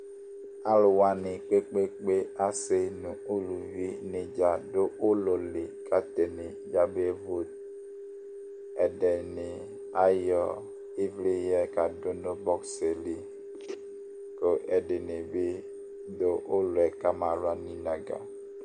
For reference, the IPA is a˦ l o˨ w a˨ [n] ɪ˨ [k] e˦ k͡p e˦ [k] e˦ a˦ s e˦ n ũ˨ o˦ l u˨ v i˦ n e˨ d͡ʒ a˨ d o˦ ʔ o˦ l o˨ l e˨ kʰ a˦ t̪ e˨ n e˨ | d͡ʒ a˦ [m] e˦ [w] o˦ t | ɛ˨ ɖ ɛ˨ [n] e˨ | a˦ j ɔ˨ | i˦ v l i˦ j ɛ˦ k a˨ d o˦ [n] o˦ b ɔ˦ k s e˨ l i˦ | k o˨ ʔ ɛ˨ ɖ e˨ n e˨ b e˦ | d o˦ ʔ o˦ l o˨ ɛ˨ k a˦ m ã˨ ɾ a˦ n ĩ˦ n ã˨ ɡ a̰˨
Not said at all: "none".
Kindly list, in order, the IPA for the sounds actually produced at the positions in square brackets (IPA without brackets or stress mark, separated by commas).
n, k͡p, k͡p, b, v, n, n